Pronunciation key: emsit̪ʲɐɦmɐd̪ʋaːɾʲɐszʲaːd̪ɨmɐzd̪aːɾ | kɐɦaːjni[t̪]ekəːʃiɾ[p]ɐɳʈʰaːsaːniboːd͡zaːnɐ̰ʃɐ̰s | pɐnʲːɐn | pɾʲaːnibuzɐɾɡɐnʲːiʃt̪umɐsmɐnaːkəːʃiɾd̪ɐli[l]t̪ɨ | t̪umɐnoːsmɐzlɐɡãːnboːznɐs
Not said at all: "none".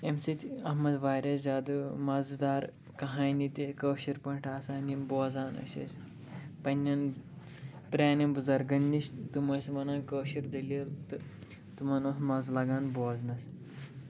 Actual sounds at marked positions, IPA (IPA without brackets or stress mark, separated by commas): t̪, p, l